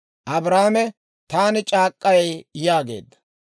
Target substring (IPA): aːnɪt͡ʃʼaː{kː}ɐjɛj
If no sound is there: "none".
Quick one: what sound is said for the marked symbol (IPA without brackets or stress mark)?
kʼː